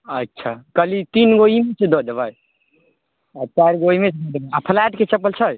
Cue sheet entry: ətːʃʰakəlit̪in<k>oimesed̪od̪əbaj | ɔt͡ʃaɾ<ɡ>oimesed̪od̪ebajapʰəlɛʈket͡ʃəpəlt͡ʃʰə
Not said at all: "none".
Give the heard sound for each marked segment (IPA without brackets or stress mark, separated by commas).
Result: ɡ, ɡ